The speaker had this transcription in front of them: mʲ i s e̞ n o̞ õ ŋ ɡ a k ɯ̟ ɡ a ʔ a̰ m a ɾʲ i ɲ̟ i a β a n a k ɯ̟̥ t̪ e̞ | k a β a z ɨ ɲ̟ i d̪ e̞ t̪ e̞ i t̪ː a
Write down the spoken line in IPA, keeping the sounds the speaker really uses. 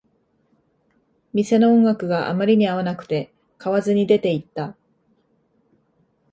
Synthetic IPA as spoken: mʲ i s e̞ n o̞ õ ŋ ɡ a k ɯ̟ ɡ a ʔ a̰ m a ɾʲ i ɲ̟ i a β a n a k ɯ̟̥ t̪ e̞ | k a β a z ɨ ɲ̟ i d̪ e̞ t̪ e̞ i t̪ː a